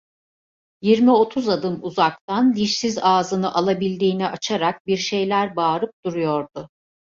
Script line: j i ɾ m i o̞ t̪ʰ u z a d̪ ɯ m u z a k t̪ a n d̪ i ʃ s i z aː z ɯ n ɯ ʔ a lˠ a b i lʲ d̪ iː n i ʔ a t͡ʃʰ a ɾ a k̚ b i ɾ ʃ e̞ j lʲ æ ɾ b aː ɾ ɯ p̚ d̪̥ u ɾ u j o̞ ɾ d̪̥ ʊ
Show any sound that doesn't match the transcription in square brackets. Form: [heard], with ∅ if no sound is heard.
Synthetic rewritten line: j i ɾ m i o̞ t̪ʰ u z a d̪ ɯ m u z a k t̪ a n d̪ i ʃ s i z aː z ɯ n ɯ ʔ a lˠ a b i lʲ d̪ iː n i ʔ a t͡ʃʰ a ɾ a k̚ b i ɾ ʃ e̞ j lʲ æ ɾ b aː ɾ ɯ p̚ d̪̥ u ɾ u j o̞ ɾ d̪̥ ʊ